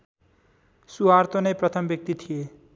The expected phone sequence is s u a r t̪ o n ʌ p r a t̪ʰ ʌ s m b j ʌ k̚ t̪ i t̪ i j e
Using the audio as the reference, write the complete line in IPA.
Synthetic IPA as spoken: s u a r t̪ o n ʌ p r ʌ t̪ʰ ʌ m b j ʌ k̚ t̪ i t̪ʰ i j e

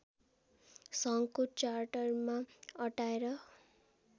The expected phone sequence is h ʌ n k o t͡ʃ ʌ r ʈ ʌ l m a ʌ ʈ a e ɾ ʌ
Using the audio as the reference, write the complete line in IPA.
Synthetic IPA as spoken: s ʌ ŋ k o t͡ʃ a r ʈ ʌ r m a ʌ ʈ a e ɾ ʌ

